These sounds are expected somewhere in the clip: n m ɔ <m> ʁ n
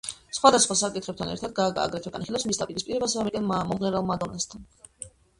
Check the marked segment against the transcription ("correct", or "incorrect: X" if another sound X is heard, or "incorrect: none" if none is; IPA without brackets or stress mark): correct